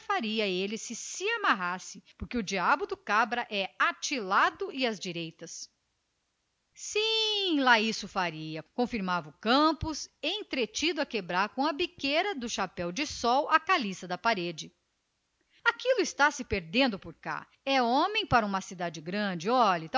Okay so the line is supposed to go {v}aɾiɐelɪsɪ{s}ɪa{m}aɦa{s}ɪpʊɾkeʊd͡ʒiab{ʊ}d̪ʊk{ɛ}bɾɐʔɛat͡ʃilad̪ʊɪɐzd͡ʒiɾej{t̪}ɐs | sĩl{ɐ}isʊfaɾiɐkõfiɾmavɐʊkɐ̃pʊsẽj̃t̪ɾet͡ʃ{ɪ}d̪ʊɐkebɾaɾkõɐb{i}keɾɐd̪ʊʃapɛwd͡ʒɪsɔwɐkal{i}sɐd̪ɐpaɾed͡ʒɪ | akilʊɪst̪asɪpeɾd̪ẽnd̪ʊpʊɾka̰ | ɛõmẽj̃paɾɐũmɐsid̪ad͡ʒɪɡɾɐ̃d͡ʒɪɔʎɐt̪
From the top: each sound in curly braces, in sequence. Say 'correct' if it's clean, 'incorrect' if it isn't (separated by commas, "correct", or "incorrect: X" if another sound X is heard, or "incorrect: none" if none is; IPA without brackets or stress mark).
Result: incorrect: f, correct, correct, correct, correct, incorrect: a, correct, incorrect: a, incorrect: i, correct, correct